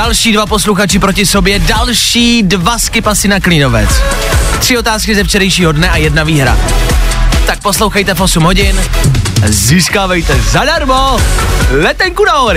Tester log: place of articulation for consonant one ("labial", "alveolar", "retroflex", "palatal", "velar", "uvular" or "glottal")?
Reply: alveolar